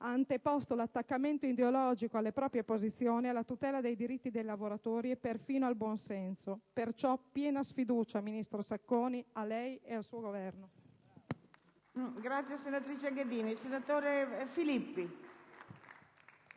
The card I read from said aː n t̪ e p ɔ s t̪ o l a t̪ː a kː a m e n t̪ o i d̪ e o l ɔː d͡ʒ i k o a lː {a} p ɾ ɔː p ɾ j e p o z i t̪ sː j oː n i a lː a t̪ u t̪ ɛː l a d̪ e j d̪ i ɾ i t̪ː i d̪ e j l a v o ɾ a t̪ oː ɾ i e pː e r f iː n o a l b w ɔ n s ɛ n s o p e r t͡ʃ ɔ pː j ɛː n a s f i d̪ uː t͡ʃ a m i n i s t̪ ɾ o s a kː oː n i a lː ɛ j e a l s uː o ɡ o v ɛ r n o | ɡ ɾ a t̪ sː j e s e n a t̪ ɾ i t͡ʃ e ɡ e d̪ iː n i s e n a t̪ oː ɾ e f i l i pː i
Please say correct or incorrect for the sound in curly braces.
incorrect